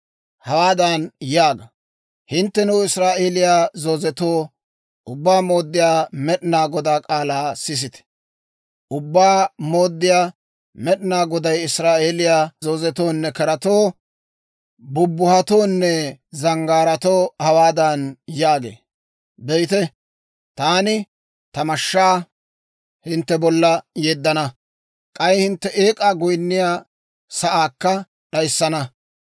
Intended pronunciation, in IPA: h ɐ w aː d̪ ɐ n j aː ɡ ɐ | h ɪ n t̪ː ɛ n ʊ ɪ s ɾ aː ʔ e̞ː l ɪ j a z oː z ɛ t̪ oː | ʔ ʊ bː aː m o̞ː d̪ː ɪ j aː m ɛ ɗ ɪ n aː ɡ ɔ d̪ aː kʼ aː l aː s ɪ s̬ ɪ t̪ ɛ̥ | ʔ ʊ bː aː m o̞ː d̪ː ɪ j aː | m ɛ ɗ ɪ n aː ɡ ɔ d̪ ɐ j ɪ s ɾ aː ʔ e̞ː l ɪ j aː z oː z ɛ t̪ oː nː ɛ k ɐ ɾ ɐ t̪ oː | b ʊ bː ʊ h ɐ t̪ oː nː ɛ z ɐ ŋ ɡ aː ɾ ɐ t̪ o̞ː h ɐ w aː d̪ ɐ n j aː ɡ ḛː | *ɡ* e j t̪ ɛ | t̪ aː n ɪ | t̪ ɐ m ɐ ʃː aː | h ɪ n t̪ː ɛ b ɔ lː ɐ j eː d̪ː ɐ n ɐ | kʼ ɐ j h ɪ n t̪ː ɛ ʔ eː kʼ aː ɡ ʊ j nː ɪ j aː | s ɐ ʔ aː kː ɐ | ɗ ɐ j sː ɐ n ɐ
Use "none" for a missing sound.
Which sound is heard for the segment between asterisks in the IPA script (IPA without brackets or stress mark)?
b